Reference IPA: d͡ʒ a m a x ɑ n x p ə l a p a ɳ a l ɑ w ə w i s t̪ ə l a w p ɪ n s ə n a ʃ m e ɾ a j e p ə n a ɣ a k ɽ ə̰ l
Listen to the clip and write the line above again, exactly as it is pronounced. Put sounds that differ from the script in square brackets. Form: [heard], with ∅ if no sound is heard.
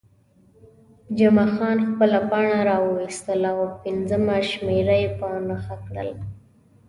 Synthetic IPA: d͡ʒ a m a x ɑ n x p ə l a p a ɳ a [ɾ] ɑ w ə w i s t̪ ə l a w p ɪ n [z] ə [m] a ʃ m e ɾ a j e p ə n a [x] a k ɽ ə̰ l